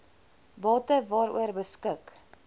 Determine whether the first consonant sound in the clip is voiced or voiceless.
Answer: voiced